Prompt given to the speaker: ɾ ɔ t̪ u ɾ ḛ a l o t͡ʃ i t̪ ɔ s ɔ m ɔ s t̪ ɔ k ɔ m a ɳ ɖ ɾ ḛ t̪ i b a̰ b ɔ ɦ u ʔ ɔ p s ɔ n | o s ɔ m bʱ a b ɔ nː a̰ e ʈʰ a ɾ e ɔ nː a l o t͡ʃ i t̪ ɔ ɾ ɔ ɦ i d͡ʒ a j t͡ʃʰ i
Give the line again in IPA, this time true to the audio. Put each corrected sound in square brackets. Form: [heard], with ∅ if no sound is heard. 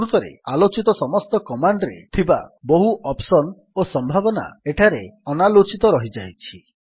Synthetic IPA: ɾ [u] t̪ [ɔ] ɾ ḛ a l o t͡ʃ i t̪ ɔ s ɔ m ɔ s t̪ ɔ k ɔ m a ɳ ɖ ɾ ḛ [t̪ʰ] i b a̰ b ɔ ɦ u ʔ ɔ p s ɔ n | o s ɔ m bʱ a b ɔ [n] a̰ e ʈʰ a ɾ e ɔ [n] a l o t͡ʃ i t̪ ɔ ɾ ɔ ɦ i d͡ʒ a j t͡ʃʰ i